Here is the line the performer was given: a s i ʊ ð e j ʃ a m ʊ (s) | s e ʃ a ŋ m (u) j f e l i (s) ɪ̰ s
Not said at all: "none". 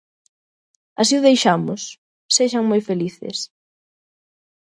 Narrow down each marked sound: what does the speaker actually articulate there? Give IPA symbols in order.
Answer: s, o, θ

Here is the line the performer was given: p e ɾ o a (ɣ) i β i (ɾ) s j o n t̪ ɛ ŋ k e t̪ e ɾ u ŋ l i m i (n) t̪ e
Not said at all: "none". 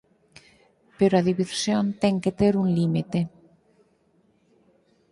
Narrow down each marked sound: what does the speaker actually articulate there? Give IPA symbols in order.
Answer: ð, ɾ, none

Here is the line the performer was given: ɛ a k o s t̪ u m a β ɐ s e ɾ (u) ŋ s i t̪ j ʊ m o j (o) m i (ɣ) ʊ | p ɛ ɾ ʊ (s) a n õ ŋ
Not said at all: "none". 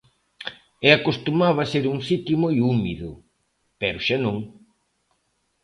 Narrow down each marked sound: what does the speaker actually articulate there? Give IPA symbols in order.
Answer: u, u, ð, ʃ

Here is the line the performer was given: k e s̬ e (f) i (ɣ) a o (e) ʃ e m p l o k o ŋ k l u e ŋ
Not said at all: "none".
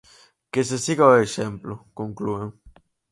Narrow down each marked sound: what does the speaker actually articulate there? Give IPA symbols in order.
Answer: s, ɣ, e

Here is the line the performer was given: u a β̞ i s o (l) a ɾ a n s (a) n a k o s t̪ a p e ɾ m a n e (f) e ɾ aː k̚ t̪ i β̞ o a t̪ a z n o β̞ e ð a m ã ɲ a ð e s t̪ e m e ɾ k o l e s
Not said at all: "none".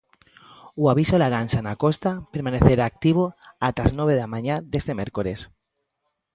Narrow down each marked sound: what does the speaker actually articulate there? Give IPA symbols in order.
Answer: l, a, θ

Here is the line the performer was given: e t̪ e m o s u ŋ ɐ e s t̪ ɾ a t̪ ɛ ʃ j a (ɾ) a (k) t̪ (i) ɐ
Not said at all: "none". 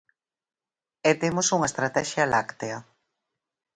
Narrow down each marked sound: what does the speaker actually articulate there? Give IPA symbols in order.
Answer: l, k, e

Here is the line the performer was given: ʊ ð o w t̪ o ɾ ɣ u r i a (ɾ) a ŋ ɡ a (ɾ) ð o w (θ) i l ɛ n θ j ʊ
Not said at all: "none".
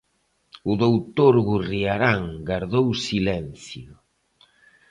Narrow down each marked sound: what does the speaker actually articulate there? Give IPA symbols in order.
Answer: ɾ, ɾ, s

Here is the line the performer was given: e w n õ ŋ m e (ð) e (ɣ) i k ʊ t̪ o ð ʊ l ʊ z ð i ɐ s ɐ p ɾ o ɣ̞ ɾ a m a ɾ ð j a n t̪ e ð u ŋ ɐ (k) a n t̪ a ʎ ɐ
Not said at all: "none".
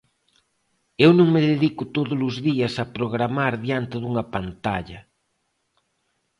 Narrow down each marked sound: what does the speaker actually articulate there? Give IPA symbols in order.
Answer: ð, ð, p

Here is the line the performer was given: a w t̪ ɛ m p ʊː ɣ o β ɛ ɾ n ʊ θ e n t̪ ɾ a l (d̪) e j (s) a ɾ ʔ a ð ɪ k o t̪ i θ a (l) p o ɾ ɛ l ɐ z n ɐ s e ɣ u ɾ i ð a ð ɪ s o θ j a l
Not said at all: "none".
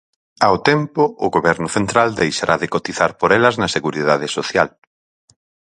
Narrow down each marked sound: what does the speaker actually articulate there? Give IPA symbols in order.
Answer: d̪, ʃ, ɾ

